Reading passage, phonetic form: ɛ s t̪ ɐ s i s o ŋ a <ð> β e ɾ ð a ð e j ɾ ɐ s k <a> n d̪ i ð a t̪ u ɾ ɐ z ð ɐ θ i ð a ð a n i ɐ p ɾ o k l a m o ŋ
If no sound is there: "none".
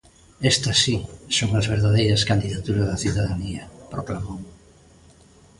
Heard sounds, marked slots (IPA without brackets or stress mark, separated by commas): z, a